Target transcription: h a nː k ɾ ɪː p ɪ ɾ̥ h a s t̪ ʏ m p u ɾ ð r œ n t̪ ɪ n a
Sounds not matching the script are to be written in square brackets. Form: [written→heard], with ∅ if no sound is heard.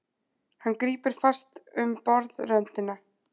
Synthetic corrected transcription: h a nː k ɾ [ɪː→iː] p ɪ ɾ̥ [h→f] a s t̪ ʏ m p [u→ɔ] ɾ ð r œ n t̪ ɪ n a